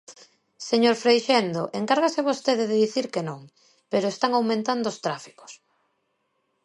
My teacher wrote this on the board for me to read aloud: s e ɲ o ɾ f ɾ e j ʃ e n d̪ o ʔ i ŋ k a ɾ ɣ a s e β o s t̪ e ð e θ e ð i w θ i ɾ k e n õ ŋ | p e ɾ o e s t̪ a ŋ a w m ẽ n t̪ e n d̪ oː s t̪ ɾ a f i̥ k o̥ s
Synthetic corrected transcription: s e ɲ o ɾ f ɾ e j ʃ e n d̪ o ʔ e ŋ k a ɾ ɣ a s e β o s t̪ e ð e ð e ð i θ i ɾ k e n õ ŋ | p e ɾ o e s t̪ a ŋ a w m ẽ n t̪ a n d̪ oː s t̪ ɾ a f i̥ k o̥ s